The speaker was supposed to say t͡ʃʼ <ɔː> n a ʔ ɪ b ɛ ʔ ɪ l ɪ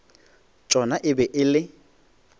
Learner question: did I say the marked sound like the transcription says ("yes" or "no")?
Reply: no